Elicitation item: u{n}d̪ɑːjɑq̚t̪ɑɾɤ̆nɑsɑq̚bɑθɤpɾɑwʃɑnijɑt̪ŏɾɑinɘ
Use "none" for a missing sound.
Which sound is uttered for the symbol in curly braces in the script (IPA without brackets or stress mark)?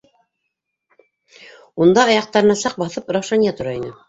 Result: n